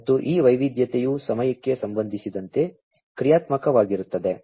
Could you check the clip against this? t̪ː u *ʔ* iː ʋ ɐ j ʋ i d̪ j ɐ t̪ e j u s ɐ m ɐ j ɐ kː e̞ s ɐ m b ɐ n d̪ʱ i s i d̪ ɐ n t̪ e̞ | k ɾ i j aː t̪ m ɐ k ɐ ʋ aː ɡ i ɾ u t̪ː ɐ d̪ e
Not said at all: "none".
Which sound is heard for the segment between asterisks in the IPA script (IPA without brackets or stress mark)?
ʔ